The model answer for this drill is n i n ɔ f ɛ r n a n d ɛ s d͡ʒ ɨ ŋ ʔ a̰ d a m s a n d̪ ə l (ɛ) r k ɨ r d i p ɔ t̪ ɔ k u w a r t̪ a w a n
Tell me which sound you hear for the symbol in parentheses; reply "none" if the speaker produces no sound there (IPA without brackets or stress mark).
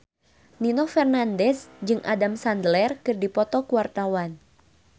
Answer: ɛ